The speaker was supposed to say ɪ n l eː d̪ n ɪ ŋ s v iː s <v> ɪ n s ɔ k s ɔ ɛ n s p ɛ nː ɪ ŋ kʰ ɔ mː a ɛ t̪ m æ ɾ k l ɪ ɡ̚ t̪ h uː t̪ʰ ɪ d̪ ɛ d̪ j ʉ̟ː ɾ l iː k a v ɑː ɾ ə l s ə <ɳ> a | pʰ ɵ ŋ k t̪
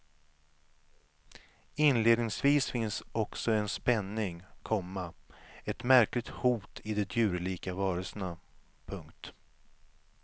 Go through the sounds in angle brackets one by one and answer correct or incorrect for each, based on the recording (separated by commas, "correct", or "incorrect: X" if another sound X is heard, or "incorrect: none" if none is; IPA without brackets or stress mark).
incorrect: f, incorrect: n